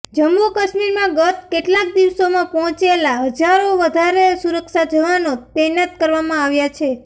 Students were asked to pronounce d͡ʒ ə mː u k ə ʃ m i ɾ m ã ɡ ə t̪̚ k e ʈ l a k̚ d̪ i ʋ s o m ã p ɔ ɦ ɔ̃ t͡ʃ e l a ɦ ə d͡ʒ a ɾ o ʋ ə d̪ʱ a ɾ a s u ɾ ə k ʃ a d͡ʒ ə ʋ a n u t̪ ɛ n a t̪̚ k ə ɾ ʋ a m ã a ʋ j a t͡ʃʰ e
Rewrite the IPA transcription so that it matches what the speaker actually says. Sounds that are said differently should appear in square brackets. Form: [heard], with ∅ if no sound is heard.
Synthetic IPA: d͡ʒ ə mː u k ə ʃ m i ɾ m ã ɡ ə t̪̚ k e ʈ l a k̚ d̪ i ʋ s o m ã p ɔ ɦ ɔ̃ t͡ʃ e l a ɦ ə d͡ʒ a ɾ o ʋ ə d̪ʱ a ɾ [e] s u ɾ ə k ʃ a d͡ʒ ə ʋ a n [o] t̪ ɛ n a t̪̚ k ə ɾ ʋ a m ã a ʋ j a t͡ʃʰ e